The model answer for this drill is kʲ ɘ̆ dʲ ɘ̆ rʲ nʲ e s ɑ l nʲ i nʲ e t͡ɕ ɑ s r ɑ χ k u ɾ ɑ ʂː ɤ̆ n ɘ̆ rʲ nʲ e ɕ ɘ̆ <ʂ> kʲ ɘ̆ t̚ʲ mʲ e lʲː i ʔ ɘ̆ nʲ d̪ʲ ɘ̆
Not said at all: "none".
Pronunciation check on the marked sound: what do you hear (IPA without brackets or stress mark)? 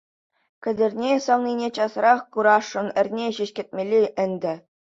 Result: ɕ